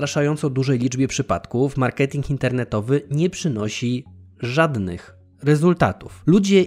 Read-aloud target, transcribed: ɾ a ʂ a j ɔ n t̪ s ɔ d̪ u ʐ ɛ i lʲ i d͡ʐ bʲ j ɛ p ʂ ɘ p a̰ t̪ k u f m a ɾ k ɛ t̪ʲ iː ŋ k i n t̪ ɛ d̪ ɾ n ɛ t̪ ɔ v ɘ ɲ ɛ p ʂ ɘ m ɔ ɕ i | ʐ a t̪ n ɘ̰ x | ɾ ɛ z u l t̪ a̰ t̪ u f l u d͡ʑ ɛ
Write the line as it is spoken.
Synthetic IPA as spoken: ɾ a ʂ a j ɔ n t̪ s ɔ d̪ u ʐ ɛ j lʲ i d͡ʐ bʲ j ɛ p ʂ ɘ p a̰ t̪ k u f m a ɾ k ɛ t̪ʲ i ŋ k i n t̪ ɛ ɾ n ɛ t̪ ɔ v ɘ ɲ ɛ p ʂ ɘ n ɔ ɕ i | ʐ a d̪ n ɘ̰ x | ɾ ɛ z u l t̪ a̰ t̪ u f l u d͡ʑ ɛ